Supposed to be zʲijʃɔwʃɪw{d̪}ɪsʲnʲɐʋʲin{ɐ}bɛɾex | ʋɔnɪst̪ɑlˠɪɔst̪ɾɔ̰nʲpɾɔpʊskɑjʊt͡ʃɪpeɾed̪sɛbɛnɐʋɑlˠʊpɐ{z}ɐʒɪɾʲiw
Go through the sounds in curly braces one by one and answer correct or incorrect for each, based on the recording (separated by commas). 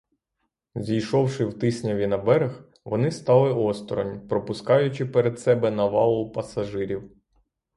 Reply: incorrect, correct, incorrect